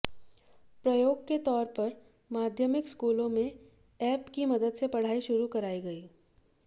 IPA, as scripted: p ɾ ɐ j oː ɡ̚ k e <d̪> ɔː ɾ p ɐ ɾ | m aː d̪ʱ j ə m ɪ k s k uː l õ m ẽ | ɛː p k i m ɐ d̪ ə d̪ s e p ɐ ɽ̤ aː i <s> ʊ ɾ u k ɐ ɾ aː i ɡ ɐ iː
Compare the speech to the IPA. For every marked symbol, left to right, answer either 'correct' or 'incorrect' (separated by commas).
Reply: incorrect, incorrect